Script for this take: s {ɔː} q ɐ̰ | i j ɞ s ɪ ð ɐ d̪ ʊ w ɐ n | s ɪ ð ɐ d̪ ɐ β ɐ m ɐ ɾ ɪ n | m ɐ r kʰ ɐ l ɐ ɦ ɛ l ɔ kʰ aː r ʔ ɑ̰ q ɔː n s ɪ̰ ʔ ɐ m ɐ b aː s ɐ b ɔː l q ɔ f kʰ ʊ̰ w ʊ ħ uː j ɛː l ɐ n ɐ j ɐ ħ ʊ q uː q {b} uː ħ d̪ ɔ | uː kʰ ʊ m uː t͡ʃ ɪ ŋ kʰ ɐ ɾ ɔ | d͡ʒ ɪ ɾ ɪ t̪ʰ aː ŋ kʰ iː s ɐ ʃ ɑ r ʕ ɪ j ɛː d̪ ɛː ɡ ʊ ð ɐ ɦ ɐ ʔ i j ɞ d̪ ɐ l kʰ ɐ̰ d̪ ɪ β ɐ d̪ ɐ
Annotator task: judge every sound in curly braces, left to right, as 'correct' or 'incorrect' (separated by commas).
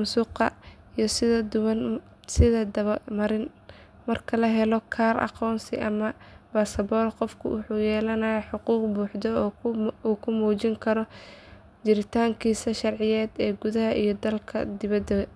incorrect, correct